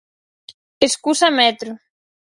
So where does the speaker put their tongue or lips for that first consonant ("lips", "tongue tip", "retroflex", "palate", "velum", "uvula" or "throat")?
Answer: tongue tip